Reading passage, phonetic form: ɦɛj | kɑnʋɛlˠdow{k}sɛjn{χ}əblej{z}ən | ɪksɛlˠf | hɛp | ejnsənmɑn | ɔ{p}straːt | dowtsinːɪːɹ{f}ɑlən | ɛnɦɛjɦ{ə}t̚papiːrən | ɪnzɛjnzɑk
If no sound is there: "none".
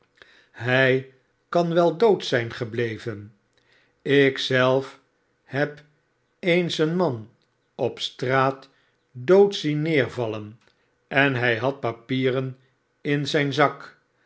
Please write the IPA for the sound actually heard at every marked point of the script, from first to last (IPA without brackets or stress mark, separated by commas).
t, χ, v, p, v, ɑ